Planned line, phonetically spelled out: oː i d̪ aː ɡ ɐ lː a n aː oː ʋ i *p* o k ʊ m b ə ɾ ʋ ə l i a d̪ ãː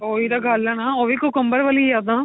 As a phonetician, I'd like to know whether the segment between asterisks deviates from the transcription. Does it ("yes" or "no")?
yes